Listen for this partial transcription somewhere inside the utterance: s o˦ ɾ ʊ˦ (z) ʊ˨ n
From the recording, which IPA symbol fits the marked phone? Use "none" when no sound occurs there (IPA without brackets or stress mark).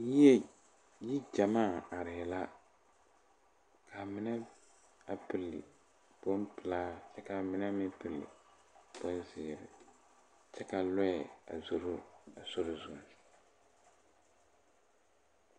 z